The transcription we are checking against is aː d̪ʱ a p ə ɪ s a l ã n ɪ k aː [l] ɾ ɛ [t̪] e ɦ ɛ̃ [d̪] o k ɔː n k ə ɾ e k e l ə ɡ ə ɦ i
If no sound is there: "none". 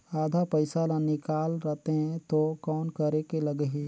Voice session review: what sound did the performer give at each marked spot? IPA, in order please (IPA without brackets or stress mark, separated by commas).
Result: l, t̪, t̪